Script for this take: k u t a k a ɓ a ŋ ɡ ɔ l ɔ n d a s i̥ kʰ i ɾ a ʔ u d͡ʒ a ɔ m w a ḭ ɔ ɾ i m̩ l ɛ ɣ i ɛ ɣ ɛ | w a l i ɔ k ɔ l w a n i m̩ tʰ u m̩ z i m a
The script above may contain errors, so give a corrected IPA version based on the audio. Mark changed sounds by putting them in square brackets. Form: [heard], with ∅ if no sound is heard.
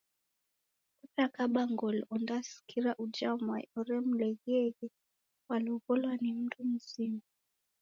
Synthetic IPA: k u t a k a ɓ a ŋ ɡ ɔ l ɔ n d a s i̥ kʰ i ɾ a ʔ u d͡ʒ a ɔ m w a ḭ ɔ ɾ [ɛ] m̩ l ɛ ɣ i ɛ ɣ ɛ | w a l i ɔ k ɔ l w a n i m̩ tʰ u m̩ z i m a